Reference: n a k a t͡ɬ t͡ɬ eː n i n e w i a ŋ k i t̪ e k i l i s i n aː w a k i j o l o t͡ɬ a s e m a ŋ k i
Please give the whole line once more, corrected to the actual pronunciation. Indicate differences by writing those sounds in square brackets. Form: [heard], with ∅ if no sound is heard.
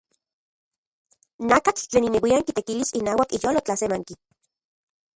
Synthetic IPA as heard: n a k a t͡ɬ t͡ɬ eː n i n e w i a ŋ k i t̪ e k i l i s i n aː w a k i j o l o t͡ɬ a s e m a ŋ k i

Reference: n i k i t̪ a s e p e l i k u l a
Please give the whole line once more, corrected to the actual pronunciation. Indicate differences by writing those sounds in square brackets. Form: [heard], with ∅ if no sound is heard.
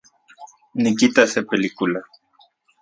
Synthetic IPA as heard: n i k i t̪ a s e p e l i k u l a

